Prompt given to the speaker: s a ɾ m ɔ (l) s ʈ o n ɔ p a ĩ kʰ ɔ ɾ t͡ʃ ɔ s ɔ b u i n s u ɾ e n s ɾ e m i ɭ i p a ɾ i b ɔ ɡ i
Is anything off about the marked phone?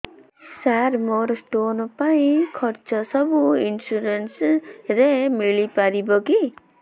yes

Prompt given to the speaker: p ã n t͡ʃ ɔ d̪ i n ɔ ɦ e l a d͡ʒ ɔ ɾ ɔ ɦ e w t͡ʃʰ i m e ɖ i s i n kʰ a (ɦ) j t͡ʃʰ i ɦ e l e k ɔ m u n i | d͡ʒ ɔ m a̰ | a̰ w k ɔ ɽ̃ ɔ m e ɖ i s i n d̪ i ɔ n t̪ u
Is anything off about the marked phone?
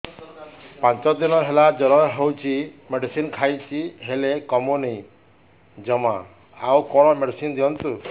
yes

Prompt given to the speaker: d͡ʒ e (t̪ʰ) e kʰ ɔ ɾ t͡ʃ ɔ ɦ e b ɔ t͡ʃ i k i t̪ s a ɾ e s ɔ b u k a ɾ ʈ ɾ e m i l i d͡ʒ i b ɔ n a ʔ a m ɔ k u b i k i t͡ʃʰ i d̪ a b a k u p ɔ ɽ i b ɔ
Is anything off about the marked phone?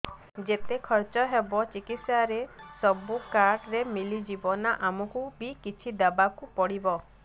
yes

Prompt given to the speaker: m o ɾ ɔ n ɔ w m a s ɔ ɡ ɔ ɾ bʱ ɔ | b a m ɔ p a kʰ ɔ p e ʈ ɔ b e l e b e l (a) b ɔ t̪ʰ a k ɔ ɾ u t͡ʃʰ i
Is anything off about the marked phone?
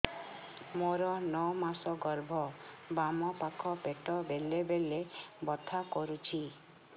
yes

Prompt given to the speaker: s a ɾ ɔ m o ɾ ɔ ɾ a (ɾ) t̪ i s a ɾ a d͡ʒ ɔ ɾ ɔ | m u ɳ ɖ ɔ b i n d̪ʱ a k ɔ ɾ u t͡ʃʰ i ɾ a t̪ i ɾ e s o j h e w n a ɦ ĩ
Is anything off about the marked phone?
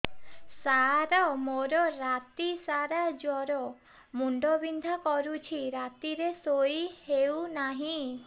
yes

